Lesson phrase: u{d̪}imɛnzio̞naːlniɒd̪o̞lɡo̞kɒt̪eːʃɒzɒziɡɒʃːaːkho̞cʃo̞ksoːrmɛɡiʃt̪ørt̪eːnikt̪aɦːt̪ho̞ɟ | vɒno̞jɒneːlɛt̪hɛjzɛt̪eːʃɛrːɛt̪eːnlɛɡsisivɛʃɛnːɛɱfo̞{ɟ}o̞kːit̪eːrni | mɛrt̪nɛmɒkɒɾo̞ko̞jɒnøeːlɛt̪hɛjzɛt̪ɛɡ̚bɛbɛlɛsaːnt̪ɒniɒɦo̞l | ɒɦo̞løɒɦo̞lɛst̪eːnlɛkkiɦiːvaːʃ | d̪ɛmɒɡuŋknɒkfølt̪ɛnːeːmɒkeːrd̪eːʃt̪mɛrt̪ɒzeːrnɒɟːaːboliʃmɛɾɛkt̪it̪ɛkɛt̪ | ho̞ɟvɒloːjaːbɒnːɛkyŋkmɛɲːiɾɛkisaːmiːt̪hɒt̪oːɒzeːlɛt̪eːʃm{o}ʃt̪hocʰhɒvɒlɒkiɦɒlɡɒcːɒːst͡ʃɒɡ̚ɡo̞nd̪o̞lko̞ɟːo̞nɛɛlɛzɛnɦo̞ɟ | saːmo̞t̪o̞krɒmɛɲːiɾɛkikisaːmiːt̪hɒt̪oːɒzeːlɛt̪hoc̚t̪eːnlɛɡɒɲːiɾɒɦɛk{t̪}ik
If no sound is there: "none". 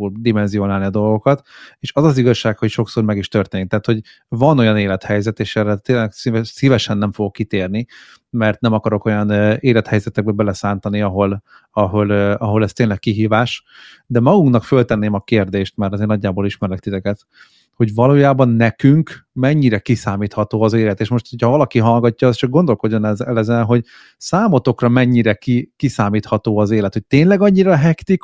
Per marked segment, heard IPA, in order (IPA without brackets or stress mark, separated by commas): d̪, ɡ, o, t̪